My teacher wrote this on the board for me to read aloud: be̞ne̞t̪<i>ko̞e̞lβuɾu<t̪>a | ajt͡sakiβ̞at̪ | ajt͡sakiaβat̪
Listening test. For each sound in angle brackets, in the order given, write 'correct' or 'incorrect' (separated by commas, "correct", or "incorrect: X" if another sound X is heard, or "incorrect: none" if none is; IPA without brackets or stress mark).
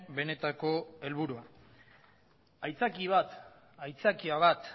incorrect: a, incorrect: none